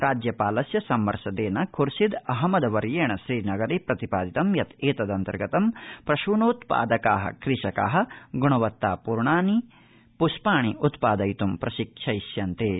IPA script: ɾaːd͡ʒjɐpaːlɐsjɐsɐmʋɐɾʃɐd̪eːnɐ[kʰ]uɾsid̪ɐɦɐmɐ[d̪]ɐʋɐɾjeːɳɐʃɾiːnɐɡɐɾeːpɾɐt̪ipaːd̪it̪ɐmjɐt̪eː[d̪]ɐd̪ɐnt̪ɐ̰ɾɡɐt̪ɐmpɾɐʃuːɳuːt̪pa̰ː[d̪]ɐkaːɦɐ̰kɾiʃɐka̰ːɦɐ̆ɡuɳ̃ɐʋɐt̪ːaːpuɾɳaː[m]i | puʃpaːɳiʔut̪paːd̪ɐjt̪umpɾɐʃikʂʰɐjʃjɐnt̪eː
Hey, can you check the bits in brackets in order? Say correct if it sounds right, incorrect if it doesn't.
correct, correct, incorrect, correct, incorrect

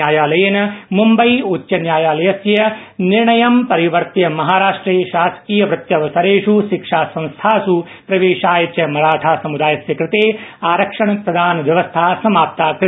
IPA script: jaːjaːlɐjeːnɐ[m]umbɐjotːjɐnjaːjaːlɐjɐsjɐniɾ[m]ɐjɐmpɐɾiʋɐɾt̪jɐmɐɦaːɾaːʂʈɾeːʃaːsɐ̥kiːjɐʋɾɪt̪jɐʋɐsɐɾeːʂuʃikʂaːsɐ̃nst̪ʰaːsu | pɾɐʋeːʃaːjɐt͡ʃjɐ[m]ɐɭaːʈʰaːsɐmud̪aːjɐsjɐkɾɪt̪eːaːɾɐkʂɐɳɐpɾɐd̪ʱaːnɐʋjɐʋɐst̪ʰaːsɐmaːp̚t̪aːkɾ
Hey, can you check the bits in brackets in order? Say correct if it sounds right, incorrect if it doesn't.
correct, incorrect, correct

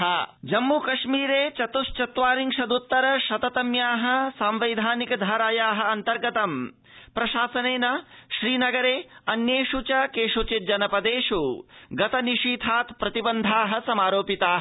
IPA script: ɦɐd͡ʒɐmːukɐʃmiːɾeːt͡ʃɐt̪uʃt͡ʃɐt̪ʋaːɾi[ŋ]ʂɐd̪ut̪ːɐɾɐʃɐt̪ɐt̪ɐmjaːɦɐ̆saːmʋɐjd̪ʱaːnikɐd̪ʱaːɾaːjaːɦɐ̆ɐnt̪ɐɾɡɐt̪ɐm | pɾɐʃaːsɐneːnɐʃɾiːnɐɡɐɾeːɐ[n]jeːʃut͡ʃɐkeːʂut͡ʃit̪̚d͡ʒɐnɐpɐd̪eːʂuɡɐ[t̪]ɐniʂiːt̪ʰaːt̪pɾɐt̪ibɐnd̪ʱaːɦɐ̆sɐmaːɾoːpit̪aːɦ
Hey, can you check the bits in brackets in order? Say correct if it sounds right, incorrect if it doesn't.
correct, correct, correct

